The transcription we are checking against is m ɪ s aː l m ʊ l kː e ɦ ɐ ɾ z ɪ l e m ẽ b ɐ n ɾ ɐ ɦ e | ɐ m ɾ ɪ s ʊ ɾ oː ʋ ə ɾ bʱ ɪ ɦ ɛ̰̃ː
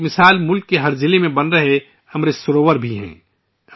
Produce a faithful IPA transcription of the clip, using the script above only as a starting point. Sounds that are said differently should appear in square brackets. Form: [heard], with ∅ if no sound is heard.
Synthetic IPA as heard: m ɪ s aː l m ʊ l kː e ɦ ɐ ɾ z ɪ l e m ẽ b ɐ n ɾ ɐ ɦ e | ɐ m ɾ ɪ s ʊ ɾ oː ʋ ə ɾ bʱ [i] ɦ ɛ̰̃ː